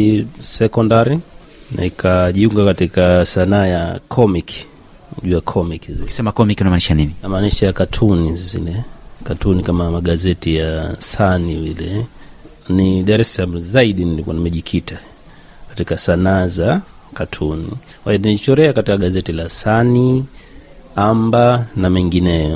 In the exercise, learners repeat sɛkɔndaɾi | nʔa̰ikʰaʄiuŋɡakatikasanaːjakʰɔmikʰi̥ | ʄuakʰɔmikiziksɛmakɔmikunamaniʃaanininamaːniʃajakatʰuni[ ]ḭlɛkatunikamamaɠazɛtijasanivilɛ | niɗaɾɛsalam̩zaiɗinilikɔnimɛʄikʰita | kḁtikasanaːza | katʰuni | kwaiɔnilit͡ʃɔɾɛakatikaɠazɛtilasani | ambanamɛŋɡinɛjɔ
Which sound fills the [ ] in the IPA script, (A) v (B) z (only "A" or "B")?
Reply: B